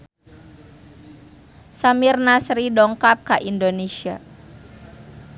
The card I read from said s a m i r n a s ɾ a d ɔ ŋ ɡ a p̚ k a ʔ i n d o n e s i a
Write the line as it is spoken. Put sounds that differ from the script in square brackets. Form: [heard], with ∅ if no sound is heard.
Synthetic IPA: s a m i r n a s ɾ [i] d ɔ ŋ [k] a p̚ k a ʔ i n d o n e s i a